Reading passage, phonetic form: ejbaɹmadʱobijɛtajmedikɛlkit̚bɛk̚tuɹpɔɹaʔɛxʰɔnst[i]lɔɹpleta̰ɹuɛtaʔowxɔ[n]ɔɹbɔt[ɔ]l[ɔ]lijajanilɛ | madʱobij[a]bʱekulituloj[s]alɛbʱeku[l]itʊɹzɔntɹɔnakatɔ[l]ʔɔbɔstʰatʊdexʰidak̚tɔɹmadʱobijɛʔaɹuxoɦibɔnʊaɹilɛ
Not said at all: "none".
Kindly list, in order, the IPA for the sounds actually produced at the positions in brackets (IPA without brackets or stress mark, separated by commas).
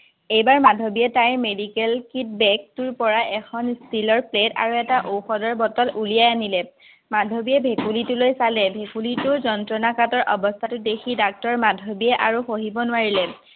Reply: i, d, ɔ, u, ɛ, s, l, ɹ